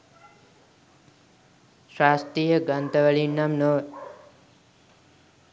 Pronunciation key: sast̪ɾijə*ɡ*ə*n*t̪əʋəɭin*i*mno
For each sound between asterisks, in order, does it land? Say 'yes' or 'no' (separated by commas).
yes, yes, no